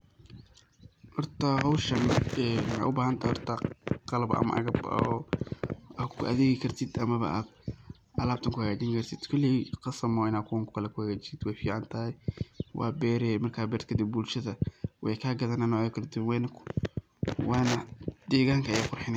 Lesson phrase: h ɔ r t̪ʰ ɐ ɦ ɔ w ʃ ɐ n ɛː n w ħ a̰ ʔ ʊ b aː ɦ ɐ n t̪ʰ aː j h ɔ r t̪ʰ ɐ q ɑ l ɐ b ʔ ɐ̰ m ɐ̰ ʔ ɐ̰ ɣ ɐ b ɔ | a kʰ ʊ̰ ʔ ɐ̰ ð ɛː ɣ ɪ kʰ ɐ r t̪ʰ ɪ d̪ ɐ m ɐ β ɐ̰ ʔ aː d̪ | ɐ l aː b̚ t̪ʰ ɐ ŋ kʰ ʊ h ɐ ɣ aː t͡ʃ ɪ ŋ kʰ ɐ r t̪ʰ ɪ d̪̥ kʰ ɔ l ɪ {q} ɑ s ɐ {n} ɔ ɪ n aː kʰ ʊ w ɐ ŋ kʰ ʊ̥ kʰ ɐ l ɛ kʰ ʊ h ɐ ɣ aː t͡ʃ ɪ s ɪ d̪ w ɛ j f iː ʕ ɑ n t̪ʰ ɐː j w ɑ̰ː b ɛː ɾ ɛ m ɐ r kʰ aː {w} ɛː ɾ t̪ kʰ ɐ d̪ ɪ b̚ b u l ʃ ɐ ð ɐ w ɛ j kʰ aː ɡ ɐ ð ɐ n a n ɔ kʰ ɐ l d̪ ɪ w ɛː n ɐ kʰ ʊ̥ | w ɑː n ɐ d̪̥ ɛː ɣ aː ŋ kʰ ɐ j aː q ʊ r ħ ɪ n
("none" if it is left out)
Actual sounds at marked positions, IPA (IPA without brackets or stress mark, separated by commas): q, m, b